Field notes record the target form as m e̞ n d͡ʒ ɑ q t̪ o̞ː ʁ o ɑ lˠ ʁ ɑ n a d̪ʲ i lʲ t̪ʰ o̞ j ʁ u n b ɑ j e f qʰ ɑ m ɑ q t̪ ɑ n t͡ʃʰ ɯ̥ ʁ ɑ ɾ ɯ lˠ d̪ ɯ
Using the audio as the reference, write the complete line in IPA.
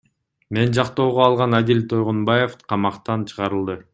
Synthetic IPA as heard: m e̞ n d͡ʒ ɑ q t̪ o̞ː ʁ o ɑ lˠ ʁ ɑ n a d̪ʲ i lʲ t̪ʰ o̞ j ʁ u n b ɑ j e f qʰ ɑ m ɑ q t̪ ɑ n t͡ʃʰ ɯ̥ ʁ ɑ ɾ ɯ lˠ d̪ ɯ